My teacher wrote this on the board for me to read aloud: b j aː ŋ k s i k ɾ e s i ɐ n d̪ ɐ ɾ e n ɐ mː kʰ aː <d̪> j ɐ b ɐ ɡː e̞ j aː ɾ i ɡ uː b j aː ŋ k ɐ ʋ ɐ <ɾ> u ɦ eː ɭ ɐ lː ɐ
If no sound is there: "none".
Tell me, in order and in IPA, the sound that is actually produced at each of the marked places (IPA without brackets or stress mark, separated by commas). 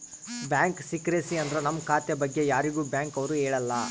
t̪, ɾ